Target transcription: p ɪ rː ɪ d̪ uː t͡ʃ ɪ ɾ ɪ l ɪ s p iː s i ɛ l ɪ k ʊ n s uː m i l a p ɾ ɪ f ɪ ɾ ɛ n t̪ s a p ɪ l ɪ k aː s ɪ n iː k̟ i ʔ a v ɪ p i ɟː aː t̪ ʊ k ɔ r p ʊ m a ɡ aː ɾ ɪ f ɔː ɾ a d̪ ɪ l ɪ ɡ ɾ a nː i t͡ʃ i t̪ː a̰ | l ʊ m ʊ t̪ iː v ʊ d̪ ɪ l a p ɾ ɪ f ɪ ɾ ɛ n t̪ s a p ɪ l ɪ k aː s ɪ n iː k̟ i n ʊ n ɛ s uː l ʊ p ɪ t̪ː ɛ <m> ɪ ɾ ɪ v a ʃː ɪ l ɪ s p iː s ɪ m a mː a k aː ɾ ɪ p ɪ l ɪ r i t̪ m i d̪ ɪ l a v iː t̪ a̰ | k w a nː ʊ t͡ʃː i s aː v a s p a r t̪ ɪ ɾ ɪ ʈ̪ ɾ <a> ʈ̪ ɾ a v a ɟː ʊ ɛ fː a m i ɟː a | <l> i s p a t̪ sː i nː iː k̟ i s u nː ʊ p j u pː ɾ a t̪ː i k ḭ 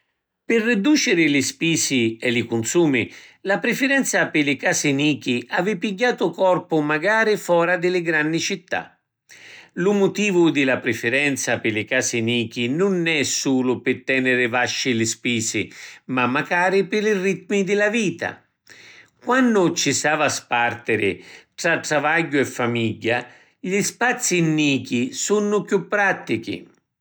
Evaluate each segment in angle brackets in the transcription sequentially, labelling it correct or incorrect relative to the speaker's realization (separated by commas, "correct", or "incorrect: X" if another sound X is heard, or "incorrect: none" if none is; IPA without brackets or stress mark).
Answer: incorrect: n, correct, incorrect: ʎ